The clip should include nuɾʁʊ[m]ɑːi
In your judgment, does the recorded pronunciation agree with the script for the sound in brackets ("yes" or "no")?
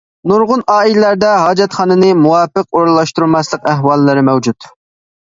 no